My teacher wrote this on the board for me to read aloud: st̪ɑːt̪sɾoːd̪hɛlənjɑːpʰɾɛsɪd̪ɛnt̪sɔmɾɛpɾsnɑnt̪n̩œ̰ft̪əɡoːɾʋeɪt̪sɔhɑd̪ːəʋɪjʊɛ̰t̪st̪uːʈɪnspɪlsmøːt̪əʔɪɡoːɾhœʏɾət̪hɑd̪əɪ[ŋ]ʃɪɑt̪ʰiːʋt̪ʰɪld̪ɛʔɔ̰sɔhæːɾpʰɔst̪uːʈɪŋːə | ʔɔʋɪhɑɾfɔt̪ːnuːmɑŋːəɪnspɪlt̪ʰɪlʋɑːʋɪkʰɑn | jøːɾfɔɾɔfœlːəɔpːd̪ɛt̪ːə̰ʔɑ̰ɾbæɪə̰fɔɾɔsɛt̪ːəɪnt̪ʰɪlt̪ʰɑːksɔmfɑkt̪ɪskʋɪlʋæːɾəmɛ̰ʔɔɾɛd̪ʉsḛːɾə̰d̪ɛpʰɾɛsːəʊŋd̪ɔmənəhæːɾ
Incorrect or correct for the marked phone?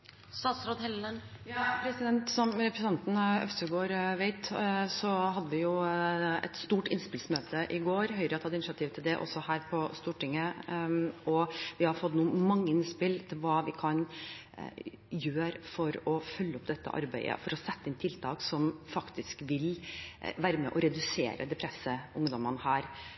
incorrect: n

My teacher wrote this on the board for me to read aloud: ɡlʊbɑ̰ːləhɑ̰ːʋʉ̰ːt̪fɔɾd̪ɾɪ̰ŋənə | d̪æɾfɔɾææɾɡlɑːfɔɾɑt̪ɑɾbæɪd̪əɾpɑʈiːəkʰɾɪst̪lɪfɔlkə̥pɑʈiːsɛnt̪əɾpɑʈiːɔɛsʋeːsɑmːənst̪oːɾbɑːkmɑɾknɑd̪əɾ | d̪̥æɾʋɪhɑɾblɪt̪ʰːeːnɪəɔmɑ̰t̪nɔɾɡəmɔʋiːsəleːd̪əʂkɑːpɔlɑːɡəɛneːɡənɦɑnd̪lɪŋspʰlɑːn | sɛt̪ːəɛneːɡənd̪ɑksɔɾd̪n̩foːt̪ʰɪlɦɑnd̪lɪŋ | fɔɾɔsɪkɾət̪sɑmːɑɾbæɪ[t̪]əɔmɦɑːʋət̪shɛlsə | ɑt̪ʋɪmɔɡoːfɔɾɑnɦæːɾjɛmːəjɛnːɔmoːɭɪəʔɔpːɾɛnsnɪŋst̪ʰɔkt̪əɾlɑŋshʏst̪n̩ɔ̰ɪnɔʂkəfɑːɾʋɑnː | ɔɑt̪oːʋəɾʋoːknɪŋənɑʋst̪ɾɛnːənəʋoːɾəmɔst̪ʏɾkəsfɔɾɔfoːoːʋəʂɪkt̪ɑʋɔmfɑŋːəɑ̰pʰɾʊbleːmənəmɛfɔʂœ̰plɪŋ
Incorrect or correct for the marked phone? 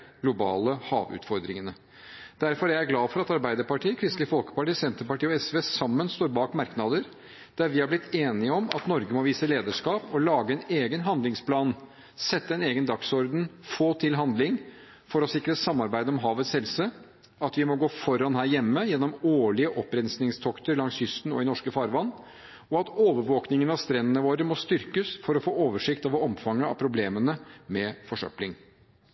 incorrect: d̪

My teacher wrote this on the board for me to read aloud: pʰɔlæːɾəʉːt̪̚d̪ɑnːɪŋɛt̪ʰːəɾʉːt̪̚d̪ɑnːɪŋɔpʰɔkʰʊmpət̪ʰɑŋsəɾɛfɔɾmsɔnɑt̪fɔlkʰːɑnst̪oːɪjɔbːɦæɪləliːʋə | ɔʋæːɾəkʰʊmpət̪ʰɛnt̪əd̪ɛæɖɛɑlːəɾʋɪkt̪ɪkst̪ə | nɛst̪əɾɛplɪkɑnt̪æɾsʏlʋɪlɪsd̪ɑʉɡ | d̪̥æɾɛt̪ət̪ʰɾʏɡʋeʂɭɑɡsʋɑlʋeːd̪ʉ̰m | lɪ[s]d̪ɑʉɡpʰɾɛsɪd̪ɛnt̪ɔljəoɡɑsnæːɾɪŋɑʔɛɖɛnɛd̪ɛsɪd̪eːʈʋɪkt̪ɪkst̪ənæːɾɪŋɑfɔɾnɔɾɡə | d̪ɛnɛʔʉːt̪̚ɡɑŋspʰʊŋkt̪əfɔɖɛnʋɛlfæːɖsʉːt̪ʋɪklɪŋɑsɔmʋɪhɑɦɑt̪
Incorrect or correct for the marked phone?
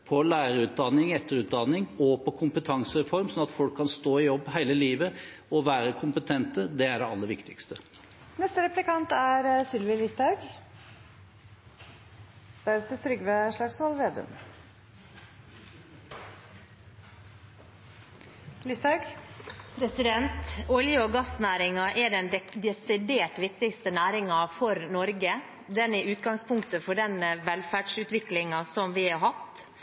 correct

